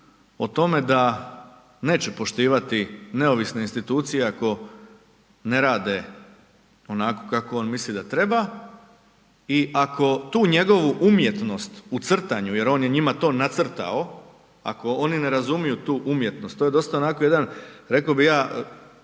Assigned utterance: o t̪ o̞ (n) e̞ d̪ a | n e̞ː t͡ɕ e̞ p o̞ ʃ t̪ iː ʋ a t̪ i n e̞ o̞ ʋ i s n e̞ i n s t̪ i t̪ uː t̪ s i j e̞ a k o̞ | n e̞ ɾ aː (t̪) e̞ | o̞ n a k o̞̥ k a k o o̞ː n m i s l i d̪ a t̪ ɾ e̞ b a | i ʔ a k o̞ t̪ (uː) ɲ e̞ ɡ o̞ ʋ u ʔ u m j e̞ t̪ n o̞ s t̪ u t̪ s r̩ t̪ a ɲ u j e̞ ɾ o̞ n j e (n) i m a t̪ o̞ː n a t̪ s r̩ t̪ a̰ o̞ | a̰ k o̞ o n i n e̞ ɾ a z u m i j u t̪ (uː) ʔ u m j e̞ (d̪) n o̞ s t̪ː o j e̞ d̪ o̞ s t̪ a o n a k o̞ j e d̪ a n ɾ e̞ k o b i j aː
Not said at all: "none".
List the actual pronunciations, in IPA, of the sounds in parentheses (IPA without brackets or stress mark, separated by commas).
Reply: m, d̪, uː, ɲ, uː, t̪